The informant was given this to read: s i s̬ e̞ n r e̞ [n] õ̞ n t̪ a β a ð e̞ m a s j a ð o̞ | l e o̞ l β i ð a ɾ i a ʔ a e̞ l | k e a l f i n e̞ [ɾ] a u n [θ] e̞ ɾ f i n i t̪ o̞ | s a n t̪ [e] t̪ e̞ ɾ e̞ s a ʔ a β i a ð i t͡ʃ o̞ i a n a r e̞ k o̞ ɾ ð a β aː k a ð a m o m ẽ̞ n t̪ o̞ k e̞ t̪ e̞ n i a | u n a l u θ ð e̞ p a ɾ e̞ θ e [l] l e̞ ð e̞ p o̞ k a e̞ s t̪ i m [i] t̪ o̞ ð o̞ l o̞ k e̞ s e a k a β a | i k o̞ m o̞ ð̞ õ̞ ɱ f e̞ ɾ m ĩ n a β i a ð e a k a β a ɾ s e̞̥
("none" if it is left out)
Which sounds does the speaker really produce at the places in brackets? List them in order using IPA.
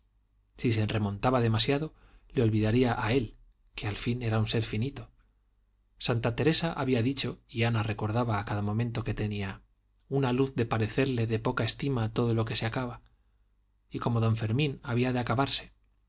m, ɾ, s, a, ɾ, a

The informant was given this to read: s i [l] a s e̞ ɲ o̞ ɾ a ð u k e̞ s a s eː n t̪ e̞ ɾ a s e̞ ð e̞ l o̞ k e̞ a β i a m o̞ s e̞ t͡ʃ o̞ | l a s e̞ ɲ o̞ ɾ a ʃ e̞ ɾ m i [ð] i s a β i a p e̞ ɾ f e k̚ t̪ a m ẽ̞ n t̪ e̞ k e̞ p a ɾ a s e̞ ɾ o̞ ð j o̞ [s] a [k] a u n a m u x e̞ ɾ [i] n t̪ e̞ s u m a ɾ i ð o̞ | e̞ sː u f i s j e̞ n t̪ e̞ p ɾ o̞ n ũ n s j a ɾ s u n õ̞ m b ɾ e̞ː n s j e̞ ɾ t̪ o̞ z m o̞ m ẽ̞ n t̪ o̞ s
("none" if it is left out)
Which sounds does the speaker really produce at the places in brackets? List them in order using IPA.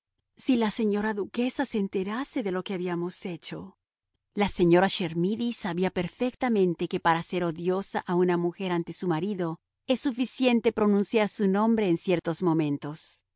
l, ð, s, ʔ, a

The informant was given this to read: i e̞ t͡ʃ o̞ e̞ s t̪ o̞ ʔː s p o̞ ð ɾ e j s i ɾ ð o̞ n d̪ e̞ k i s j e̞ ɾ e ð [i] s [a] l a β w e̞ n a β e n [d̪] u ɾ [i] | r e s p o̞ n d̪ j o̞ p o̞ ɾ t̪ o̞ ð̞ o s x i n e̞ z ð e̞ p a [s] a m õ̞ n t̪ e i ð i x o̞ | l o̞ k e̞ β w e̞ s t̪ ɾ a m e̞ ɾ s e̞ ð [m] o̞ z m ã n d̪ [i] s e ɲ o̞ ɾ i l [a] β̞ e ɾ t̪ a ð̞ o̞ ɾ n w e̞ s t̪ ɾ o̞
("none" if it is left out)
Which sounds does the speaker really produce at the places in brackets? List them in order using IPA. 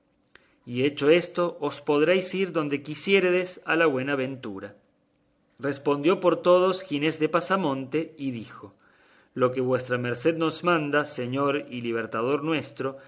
e, a, t̪, a, s, n, a, i

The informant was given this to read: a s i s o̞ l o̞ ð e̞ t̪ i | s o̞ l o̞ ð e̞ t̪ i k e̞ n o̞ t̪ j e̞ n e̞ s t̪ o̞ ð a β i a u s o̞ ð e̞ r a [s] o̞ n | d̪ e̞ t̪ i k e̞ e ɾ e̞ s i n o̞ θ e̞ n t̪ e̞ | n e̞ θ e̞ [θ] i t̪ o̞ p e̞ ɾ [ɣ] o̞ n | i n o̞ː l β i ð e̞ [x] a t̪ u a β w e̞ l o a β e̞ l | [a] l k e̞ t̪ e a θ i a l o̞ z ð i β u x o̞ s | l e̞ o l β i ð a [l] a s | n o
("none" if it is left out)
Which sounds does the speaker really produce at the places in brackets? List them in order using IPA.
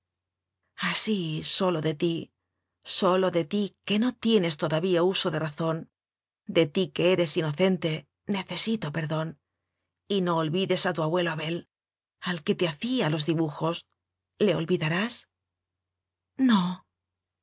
θ, s, ð, s, a, ɾ

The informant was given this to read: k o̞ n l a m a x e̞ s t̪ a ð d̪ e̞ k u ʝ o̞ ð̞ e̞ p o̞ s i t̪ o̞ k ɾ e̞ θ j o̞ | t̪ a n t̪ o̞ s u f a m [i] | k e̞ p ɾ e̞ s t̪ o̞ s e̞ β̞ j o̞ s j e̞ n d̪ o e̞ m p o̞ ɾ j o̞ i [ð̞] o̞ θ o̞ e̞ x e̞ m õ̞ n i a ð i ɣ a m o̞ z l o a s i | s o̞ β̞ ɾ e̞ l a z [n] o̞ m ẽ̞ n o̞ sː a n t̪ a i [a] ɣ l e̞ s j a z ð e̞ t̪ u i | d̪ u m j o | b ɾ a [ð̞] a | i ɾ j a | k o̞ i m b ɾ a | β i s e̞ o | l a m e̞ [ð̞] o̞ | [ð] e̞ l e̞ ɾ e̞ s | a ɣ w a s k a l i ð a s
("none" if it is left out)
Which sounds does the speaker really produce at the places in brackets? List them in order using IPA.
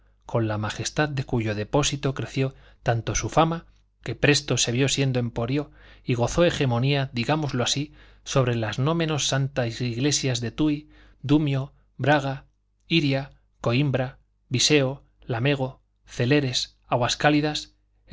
a, ɣ̞, n, i, ɣ̞, ɣ̞, θ

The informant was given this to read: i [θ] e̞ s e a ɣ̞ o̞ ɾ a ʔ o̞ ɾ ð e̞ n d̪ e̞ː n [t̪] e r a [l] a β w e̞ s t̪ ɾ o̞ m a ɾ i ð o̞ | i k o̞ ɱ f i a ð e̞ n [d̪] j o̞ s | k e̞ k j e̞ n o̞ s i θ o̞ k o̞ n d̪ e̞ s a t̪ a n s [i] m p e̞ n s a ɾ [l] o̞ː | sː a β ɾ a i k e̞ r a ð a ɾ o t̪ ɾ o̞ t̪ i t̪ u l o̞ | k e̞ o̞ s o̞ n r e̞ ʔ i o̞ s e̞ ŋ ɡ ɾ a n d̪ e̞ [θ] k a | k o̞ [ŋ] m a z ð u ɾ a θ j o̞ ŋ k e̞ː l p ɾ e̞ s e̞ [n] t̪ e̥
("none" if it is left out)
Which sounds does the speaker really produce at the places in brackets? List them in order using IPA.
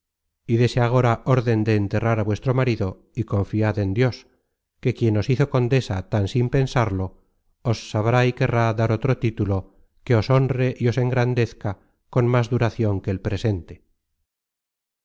ð, t̪, ɾ, d̪, i, l, θ, n, n

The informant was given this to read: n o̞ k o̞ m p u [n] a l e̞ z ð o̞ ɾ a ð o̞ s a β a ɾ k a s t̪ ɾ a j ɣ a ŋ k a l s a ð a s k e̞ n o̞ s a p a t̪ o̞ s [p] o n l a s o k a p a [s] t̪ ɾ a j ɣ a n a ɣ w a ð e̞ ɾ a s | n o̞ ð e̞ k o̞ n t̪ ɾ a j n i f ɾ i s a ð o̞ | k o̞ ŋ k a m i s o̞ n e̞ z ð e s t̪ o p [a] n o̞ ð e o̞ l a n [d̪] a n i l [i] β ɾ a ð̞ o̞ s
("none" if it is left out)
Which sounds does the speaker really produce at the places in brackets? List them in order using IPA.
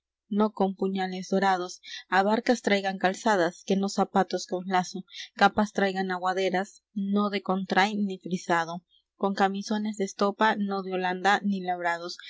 ɲ, k, s, a, d̪, a

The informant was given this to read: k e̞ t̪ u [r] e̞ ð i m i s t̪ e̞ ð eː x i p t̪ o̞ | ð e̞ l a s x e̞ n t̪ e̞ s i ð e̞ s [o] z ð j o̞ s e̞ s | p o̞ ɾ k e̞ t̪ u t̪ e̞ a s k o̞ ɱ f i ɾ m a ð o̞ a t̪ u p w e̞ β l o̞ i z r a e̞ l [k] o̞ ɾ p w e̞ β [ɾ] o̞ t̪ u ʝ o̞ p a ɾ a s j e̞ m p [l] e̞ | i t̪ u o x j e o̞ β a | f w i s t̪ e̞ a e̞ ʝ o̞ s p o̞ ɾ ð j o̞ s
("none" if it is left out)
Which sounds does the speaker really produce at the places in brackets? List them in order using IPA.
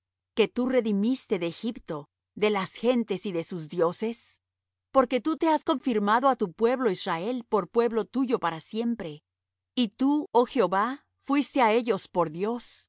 r, u, p, l, ɾ

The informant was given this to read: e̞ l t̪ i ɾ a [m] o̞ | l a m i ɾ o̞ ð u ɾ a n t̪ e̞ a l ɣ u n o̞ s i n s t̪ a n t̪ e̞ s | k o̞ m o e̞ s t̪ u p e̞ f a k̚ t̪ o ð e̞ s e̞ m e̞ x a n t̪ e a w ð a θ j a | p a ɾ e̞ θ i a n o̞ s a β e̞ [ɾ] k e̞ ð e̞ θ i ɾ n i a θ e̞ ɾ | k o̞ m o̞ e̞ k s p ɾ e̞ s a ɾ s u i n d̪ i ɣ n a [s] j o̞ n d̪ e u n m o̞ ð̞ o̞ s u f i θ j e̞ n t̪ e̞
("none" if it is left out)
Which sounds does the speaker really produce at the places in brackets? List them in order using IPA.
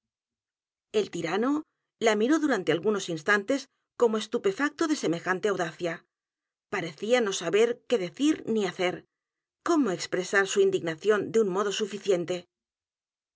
n, ɾ, θ

